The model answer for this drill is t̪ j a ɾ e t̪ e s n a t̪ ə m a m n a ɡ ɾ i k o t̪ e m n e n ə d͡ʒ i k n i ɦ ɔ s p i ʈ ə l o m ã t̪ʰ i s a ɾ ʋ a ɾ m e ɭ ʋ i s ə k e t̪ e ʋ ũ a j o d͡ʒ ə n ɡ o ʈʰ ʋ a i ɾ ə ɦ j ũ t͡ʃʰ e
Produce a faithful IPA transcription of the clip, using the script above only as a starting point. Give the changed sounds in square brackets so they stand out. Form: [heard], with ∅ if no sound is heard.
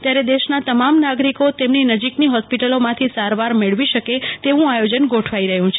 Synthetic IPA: t̪ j a ɾ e [d̪] e [ʃ] n a t̪ ə m a m n a ɡ ɾ i k o t̪ e m n [i] n ə d͡ʒ i k n i ɦ ɔ s p i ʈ ə l o m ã t̪ʰ i s a ɾ ʋ a ɾ m e ɭ ʋ i [ʃ] ə k e t̪ e ʋ ũ a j o d͡ʒ ə n ɡ o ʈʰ ʋ a i ɾ ə ɦ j ũ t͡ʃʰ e